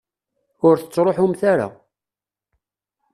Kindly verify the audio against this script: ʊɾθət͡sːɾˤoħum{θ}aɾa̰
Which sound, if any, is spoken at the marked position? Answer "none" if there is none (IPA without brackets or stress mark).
θ